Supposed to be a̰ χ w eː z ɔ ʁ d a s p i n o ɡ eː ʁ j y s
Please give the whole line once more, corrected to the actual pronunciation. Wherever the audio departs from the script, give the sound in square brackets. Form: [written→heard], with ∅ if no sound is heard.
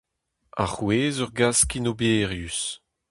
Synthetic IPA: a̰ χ w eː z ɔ ʁ [d→ɡ] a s [p→k] i n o [ɡ→b] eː ʁ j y s